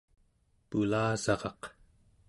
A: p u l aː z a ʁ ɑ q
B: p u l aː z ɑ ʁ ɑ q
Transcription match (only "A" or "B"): B